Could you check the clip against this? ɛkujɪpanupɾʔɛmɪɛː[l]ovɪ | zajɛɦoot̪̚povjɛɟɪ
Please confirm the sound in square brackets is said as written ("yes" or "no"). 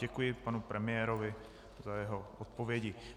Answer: no